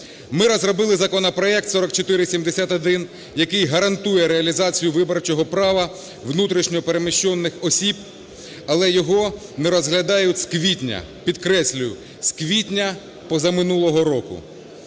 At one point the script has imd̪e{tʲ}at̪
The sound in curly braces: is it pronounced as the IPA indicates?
no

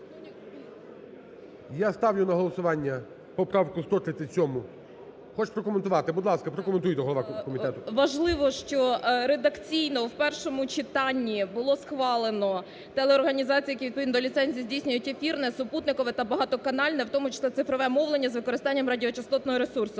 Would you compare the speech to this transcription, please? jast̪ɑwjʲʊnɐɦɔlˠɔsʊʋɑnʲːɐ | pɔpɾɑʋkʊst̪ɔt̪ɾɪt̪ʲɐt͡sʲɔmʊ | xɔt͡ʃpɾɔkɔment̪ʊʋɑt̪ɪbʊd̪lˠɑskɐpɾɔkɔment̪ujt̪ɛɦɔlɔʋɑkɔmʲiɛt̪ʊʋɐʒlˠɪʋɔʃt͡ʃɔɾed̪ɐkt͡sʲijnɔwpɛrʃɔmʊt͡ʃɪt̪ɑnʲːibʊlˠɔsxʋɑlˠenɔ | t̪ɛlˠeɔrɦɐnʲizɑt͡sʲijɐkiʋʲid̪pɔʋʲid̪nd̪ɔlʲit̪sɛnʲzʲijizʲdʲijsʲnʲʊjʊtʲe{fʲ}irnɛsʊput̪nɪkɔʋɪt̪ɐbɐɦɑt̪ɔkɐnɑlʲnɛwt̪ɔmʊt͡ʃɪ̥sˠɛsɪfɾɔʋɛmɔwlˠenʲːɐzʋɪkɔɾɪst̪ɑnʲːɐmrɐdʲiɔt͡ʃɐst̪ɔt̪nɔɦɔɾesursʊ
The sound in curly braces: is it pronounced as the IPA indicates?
yes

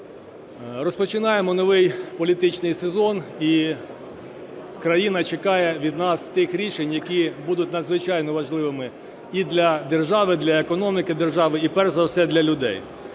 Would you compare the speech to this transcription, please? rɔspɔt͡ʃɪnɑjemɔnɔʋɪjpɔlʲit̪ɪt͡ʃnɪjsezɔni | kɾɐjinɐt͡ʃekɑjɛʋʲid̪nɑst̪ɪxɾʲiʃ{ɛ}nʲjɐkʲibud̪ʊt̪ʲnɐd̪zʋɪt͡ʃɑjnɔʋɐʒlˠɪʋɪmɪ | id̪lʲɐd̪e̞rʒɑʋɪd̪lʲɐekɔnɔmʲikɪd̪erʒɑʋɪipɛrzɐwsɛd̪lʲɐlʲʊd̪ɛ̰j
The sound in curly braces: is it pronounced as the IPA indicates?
no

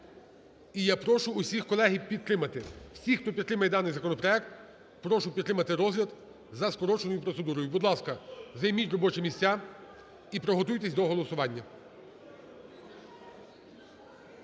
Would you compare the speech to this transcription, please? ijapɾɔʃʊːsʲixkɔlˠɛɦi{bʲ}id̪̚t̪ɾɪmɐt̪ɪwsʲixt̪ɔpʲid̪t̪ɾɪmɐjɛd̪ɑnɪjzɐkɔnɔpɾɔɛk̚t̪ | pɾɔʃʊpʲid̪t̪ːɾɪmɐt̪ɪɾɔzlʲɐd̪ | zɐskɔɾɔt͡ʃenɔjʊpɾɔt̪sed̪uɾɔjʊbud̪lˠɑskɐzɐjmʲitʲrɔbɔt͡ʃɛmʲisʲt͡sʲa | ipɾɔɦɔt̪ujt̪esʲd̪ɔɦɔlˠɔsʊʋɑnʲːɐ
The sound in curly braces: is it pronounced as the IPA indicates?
no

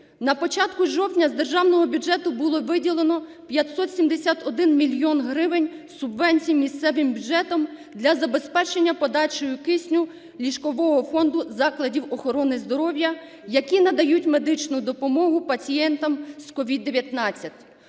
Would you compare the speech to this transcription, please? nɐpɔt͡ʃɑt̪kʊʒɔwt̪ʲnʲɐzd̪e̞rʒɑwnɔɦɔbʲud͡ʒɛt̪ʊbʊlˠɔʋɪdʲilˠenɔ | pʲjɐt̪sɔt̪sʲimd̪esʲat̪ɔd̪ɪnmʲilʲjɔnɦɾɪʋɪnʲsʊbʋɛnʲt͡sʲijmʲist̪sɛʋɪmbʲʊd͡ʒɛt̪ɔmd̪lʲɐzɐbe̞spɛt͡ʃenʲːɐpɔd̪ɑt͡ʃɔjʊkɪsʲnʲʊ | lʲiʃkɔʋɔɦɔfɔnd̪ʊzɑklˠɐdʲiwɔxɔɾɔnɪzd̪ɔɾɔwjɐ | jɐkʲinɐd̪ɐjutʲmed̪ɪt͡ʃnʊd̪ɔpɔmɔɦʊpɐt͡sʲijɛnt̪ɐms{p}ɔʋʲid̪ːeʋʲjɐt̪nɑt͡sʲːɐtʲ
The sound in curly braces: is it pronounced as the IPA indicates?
no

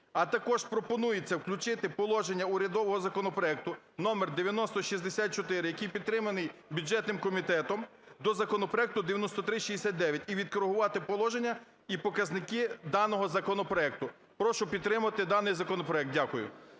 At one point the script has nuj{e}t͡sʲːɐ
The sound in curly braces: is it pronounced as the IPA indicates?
yes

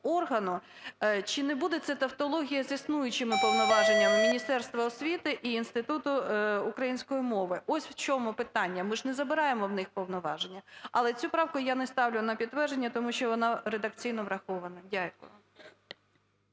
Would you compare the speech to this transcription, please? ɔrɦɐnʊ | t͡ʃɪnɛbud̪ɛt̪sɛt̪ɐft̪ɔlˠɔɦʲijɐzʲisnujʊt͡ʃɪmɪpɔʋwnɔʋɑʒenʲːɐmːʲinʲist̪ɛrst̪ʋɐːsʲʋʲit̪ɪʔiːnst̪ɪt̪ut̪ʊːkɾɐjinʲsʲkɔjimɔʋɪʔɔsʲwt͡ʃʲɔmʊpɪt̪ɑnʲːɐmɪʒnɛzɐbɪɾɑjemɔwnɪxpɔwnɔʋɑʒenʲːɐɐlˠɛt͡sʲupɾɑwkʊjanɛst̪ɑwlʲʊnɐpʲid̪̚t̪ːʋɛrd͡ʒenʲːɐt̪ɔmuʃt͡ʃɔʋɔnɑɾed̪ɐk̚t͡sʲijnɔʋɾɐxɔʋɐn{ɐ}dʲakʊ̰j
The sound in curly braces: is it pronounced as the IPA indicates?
yes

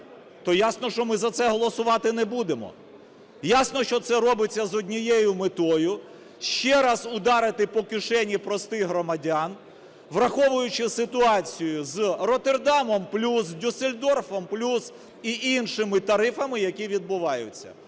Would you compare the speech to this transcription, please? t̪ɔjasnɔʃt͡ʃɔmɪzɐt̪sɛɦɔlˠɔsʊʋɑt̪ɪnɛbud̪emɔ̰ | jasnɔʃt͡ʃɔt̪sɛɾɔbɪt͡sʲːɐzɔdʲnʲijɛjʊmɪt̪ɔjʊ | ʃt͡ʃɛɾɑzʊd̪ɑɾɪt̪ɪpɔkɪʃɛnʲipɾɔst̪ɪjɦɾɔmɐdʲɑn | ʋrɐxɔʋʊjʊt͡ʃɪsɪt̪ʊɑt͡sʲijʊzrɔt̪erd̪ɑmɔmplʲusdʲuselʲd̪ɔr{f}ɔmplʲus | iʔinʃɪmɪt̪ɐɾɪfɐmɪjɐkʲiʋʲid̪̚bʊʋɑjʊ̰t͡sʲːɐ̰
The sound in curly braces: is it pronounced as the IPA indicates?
yes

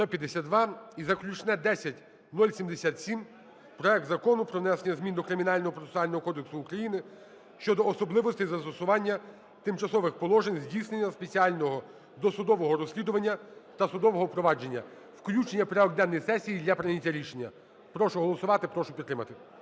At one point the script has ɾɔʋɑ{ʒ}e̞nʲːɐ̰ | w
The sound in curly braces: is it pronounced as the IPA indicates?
no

